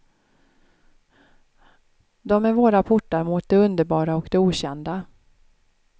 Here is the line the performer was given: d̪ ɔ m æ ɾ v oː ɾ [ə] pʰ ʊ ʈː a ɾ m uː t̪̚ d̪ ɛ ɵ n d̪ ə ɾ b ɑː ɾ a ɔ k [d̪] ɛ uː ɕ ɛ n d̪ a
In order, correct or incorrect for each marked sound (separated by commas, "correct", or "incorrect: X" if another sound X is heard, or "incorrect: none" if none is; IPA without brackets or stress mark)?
incorrect: a, correct